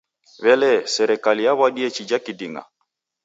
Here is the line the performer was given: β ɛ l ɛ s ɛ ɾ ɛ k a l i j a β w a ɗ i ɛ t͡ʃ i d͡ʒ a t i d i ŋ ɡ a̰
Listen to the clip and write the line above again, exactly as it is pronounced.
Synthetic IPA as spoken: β ɛ l ɛ s ɛ ɾ ɛ k a l i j a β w a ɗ i ɛ t͡ʃ i d͡ʒ a k i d i ŋ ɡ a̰